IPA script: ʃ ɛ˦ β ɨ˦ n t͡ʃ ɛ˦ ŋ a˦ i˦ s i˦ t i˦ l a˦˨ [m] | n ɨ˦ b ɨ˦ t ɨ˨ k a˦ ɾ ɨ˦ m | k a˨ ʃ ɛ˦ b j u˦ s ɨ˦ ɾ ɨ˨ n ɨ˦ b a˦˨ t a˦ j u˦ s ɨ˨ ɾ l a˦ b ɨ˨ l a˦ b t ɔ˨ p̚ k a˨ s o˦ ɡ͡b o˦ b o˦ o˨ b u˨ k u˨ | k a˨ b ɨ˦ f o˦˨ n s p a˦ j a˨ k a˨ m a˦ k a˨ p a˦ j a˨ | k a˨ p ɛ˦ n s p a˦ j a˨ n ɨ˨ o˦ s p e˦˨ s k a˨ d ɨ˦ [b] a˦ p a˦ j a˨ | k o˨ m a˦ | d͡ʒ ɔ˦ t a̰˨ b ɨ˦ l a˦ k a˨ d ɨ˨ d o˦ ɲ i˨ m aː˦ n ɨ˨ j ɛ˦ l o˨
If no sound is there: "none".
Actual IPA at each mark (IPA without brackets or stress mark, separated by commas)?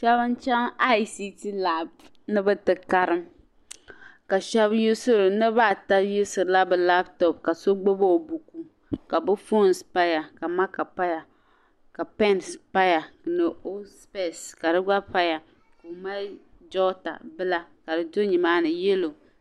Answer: b, ɡ͡b